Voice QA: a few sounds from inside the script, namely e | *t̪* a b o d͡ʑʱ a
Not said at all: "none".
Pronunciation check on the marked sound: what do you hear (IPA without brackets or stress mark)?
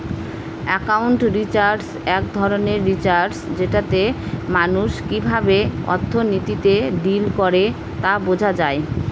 t̪